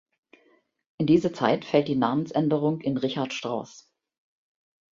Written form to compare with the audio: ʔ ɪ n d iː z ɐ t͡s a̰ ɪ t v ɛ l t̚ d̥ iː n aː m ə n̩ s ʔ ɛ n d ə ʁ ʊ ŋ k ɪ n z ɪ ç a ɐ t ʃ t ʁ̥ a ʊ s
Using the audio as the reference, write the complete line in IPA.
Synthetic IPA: ʔ ɪ n d iː z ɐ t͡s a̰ ɪ t f ɛ l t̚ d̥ iː n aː m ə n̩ s ʔ ɛ n d ə ʁ ʊ ŋ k ɪ n ʁ ɪ ç a ɐ t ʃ t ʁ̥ a ʊ s